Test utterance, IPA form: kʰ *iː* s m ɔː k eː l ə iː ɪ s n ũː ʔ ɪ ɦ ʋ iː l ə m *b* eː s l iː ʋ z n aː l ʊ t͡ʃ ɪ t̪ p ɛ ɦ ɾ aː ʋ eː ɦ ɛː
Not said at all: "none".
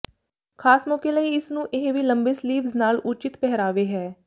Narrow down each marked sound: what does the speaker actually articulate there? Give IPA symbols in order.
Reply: aː, b

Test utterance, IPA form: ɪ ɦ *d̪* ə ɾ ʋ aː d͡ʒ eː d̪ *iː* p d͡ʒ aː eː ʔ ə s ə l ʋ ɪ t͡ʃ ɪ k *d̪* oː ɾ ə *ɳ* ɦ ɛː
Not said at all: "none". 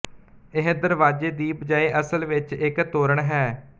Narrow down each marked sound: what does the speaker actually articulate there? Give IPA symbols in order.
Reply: d̪, iː, t̪, ɳ

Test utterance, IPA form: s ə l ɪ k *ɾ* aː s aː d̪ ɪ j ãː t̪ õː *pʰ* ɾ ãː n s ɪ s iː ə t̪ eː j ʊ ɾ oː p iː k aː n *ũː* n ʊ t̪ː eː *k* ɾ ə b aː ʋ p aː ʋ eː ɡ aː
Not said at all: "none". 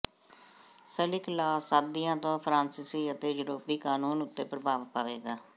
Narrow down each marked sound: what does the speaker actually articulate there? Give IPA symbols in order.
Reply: l, pʰ, uː, p

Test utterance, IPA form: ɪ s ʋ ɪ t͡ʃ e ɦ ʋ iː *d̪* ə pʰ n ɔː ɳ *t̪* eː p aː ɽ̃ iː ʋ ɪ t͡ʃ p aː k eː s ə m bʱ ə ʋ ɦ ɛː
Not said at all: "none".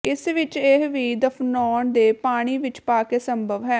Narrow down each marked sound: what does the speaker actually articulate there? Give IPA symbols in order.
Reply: d̪, d̪

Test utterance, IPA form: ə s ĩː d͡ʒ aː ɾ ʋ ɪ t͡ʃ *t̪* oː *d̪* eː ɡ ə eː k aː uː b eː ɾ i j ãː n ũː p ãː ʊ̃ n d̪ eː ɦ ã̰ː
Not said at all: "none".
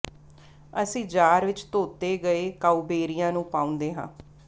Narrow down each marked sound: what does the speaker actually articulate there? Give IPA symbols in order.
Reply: t̪, t̪

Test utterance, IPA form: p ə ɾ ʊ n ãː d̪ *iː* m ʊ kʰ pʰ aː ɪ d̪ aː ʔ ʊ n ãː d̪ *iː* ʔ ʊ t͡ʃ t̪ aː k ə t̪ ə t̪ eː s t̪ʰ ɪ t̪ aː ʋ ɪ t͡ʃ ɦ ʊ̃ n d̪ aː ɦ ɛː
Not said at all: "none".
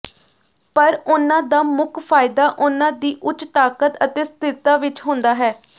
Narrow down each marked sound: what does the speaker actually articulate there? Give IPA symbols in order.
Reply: aː, iː

